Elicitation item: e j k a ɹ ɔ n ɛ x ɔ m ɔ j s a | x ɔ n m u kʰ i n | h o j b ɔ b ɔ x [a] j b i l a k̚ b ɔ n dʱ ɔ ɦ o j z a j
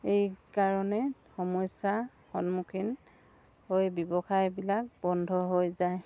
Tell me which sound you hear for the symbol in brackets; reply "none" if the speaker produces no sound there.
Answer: a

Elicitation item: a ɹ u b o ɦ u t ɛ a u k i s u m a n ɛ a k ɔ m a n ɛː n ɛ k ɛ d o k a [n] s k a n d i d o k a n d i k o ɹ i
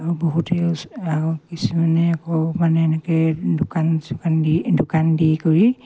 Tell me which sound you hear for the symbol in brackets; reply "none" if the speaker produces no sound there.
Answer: n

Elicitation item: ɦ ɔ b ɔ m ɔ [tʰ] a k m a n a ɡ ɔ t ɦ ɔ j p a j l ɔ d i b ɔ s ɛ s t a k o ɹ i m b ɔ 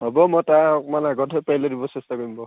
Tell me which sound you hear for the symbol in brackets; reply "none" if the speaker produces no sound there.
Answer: t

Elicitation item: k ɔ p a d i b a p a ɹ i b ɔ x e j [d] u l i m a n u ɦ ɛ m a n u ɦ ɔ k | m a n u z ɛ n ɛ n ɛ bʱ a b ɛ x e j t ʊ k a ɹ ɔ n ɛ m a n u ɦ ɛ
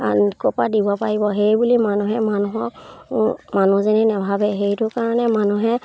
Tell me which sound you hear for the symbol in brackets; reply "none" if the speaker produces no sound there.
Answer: b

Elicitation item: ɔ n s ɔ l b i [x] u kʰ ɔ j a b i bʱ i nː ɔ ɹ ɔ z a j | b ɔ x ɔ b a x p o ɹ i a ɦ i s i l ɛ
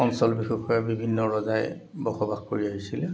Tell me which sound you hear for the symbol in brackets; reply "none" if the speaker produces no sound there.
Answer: x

